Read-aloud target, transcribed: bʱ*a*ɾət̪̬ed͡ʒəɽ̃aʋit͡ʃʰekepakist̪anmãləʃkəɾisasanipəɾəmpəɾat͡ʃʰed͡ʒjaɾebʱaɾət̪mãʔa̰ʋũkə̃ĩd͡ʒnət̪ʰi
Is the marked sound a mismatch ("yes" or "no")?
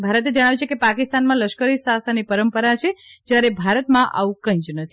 no